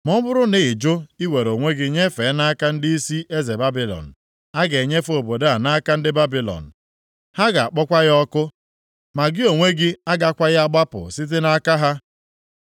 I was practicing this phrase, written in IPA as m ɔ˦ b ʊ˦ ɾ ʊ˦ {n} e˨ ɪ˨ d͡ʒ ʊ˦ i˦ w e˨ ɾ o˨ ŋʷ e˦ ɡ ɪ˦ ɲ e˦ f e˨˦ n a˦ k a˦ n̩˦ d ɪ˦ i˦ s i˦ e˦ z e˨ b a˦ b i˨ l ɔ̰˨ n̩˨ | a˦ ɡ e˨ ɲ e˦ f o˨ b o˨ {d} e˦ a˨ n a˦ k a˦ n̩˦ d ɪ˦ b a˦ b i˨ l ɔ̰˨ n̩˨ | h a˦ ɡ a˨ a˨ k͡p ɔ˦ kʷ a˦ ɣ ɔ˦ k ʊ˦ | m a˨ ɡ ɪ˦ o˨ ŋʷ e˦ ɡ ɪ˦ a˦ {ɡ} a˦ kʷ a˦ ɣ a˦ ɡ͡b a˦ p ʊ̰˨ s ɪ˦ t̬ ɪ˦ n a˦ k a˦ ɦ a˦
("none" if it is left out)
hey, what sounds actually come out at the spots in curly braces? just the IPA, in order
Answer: n, d, ɡ

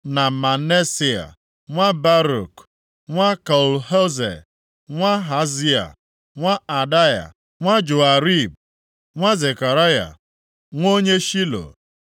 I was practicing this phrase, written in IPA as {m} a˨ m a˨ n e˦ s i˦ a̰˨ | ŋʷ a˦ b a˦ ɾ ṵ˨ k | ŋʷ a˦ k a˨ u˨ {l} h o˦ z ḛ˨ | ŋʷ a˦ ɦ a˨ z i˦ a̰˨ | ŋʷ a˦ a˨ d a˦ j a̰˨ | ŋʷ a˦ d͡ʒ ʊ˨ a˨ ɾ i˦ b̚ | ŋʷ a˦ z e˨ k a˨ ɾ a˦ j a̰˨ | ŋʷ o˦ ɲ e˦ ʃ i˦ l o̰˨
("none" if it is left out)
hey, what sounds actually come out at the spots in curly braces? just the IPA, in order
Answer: n, l

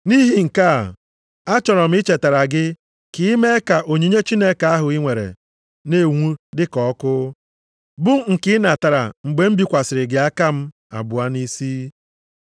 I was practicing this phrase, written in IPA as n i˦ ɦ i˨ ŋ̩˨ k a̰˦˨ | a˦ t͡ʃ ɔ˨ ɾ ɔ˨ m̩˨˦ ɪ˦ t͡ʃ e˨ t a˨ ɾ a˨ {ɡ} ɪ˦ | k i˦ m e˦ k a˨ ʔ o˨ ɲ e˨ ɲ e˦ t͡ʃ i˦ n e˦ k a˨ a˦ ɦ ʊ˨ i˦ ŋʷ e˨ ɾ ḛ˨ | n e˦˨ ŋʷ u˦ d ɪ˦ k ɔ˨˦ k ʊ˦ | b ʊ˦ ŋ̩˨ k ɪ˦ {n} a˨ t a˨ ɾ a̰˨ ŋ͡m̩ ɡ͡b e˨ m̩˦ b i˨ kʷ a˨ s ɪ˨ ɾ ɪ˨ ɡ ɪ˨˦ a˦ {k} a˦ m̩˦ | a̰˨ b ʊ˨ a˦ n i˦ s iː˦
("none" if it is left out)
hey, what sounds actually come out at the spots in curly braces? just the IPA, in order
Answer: ɡ, n, k

